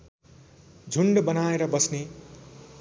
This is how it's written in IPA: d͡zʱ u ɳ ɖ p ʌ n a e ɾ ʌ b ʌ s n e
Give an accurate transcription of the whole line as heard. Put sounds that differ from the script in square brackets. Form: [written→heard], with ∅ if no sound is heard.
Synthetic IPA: d͡zʱ u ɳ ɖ [p→b] ʌ n a e ɾ ʌ b ʌ s n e